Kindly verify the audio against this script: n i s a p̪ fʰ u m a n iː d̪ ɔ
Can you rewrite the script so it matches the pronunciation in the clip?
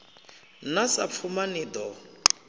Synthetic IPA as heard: n a s a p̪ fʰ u m a n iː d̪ ɔ